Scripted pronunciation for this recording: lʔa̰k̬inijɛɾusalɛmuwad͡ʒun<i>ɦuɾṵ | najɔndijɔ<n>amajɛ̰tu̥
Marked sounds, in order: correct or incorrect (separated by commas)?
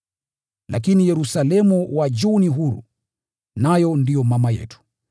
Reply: correct, incorrect